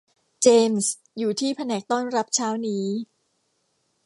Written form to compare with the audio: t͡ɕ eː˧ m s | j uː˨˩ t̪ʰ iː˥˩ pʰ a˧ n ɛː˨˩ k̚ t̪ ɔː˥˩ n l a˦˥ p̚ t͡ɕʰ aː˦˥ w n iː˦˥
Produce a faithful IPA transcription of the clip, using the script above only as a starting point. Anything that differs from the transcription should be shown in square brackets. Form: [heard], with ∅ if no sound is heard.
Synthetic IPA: t͡ɕ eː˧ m s | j uː˨˩ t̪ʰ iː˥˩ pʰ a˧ n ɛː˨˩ k̚ t̪ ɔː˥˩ n [ɾ] a˦˥ p̚ t͡ɕʰ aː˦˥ w n iː˦˥